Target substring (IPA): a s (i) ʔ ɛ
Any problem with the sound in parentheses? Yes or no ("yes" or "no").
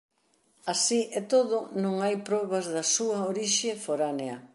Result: no